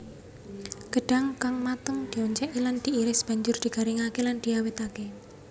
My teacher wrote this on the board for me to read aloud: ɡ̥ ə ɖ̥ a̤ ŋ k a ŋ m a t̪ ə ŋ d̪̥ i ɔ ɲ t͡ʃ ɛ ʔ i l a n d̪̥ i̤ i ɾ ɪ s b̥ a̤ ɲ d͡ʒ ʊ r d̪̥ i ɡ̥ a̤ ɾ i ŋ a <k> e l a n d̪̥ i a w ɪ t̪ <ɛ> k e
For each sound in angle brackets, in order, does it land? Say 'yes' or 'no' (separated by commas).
yes, no